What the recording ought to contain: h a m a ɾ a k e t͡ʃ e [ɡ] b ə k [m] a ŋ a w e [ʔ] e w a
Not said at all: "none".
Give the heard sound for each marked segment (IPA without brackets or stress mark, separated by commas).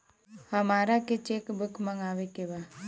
k, m, k